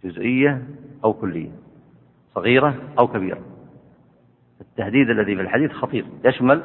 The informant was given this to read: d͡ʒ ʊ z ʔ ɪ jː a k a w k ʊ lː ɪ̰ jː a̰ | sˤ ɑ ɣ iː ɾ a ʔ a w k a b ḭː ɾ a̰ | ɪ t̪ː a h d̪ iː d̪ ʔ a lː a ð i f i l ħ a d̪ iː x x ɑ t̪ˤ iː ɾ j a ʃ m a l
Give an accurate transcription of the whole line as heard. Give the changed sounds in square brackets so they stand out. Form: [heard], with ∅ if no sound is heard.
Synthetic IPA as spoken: d͡ʒ ʊ z ʔ ɪ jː a [ʔ] a w k ʊ lː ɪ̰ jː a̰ | sˤ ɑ ɣ iː ɾ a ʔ a w k a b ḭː ɾ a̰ | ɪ t̪ː a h d̪ iː d̪ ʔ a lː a ð i f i l ħ a d̪ iː [θ] x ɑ t̪ˤ iː ɾ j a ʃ m a l